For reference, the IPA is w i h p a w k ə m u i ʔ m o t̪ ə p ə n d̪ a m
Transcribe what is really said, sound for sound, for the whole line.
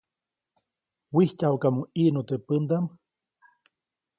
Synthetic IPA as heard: w i h c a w k a m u i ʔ n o t̪ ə p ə n d̪ a m